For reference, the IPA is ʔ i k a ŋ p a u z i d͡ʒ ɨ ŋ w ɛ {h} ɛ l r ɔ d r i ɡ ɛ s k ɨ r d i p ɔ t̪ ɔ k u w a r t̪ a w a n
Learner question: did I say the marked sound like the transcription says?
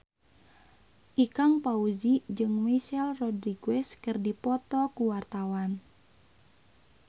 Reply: no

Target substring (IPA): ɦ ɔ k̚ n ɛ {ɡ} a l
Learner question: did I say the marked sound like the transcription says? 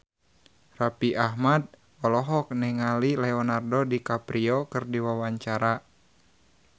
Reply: no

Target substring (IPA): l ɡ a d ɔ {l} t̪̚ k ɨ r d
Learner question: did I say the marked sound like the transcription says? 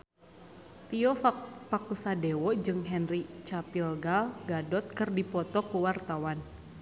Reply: no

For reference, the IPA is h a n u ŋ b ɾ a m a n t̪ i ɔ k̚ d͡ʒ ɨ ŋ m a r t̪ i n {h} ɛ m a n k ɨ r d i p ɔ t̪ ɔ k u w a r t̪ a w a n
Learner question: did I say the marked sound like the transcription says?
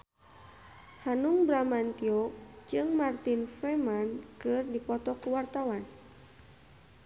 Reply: no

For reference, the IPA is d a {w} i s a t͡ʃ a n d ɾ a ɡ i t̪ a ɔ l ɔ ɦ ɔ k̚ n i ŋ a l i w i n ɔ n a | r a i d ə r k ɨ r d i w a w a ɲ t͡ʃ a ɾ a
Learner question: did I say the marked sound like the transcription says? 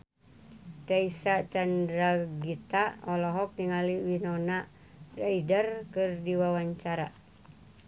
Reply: no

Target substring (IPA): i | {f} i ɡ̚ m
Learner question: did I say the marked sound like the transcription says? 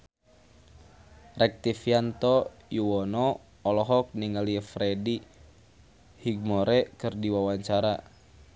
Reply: no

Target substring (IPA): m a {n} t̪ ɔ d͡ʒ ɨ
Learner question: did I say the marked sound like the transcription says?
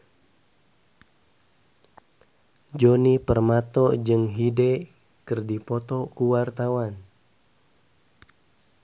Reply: no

